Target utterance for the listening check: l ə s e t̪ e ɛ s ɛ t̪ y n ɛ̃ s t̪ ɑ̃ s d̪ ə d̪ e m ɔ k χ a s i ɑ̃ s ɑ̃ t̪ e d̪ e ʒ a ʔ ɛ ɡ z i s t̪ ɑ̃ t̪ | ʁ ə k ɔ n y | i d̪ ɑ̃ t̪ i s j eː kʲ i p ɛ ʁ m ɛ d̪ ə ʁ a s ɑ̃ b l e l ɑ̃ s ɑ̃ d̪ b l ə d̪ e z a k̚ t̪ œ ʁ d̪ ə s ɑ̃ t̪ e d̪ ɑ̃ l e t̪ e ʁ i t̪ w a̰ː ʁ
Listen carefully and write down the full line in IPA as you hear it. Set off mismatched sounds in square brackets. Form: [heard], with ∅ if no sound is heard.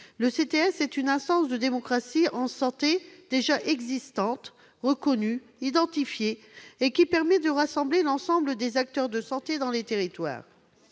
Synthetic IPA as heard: l ə s e t̪ e ɛ s ɛ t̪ y n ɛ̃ s t̪ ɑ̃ s d̪ ə d̪ e m ɔ k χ a s i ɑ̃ s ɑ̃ t̪ e d̪ e ʒ a ʔ ɛ ɡ z i s t̪ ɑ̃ t̪ | ʁ ə k ɔ n y | i d̪ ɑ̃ t̪ i [f] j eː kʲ i p ɛ ʁ m ɛ d̪ ə ʁ a s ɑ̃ b l e l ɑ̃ s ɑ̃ [∅] b l ə d̪ e z a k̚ t̪ œ ʁ d̪ ə s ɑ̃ t̪ e d̪ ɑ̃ l e t̪ e ʁ i t̪ w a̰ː ʁ